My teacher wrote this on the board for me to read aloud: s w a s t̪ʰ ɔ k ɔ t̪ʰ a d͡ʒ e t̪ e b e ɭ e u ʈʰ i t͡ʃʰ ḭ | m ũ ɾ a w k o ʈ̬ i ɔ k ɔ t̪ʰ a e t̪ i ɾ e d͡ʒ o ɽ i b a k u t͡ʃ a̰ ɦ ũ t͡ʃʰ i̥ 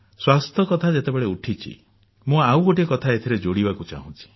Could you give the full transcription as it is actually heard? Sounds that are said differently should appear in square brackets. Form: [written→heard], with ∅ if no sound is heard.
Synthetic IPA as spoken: s w a s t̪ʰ ɔ k ɔ t̪ʰ a d͡ʒ e t̪ e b e ɭ e u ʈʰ i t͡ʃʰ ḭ | m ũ [ɾ→∅] a w [k→ɡ] o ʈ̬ i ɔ k ɔ t̪ʰ a e [t̪→t̪ʰ] i ɾ e d͡ʒ o ɽ i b a k u t͡ʃ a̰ ɦ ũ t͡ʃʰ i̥